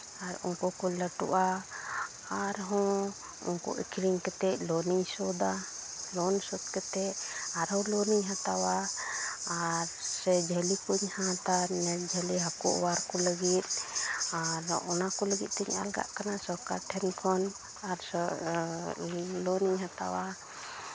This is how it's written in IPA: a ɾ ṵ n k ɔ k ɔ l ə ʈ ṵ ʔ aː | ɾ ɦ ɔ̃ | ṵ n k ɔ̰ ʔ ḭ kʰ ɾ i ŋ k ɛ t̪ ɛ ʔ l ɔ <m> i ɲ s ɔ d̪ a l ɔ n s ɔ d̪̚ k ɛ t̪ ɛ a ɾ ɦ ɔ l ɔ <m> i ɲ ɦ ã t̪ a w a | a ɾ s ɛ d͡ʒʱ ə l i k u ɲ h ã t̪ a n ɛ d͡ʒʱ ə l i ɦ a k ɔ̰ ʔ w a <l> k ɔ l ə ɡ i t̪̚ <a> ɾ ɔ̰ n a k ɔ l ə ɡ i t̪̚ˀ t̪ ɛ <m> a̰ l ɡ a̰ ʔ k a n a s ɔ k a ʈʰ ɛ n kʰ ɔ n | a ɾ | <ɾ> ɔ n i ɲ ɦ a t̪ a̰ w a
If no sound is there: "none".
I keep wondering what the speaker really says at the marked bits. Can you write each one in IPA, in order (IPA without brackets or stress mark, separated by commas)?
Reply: n, n, ɾ, a, ɲ, l